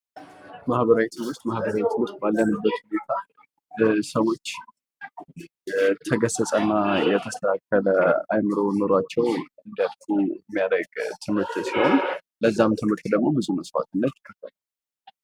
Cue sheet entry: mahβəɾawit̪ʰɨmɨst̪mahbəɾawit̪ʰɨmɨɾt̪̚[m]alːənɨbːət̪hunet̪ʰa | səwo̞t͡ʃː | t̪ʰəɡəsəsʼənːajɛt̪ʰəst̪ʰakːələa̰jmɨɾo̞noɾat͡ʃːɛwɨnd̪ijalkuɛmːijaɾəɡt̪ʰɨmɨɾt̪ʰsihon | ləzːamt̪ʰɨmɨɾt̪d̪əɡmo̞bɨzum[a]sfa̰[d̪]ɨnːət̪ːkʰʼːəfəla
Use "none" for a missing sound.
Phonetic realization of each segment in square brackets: b, ə, t̪

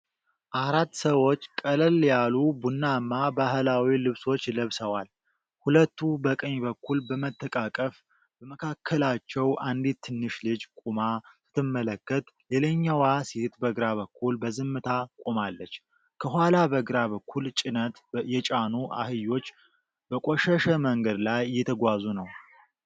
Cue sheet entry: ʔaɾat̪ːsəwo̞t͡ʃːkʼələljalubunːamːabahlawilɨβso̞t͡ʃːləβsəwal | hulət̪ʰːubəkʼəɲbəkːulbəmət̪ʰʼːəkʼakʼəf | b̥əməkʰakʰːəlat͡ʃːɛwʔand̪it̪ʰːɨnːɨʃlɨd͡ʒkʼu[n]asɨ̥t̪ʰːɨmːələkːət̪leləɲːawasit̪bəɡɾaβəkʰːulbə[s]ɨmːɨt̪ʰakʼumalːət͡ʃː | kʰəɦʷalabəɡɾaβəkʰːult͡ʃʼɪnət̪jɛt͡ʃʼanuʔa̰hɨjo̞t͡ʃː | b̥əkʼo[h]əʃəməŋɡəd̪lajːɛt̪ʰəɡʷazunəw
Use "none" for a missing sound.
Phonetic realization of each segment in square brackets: m, z, ʃ

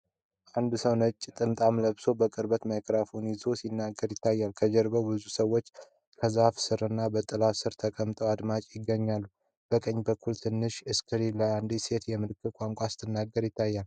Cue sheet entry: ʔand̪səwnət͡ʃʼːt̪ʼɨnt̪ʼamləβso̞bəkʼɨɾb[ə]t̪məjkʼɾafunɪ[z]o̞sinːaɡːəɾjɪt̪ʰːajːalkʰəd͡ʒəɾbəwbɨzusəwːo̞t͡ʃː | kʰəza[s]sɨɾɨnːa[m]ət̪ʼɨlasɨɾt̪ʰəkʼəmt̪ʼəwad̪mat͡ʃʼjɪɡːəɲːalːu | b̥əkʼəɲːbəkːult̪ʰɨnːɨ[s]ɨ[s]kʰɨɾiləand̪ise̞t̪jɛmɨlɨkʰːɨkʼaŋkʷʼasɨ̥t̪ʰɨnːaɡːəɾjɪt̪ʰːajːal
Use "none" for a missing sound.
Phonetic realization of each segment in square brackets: ə, z, f, b, ʃ, s

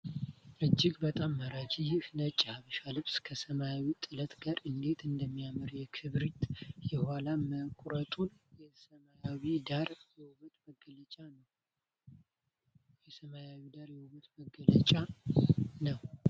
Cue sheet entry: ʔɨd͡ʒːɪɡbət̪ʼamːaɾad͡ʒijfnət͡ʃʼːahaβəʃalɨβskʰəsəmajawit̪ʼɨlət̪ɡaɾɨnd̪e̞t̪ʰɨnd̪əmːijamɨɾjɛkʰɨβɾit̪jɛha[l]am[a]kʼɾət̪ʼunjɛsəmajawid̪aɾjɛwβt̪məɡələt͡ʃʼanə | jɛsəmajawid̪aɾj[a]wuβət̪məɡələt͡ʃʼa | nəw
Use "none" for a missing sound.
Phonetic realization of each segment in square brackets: l, ə, ɛ

